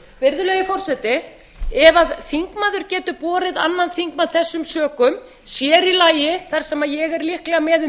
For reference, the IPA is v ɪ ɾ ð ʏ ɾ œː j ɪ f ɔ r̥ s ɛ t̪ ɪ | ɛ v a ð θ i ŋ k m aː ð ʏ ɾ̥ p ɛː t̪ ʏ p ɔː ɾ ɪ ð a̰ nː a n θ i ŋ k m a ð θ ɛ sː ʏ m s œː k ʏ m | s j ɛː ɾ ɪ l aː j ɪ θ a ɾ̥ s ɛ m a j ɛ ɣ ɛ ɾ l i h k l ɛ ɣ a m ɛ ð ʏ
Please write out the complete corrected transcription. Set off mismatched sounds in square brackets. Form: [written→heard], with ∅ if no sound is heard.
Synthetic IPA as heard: v ɪ ɾ ð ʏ [ɾ→l] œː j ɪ f ɔ r̥ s ɛ t̪ ɪ | ɛ v a ð θ i ŋ k m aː ð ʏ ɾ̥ [p→c] ɛː t̪ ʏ p ɔː ɾ ɪ ð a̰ nː a n θ i ŋ k m a ð θ ɛ sː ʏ m s œː k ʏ m | s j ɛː ɾ [ɪ→i] l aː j ɪ θ a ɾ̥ s ɛ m a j ɛ ɣ ɛ ɾ l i h k l ɛ ɣ a m ɛ ð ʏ